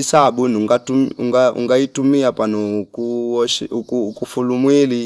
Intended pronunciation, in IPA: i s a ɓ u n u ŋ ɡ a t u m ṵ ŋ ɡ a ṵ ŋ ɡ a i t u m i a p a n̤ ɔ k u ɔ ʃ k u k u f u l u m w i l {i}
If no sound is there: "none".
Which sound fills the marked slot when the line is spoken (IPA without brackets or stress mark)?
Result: i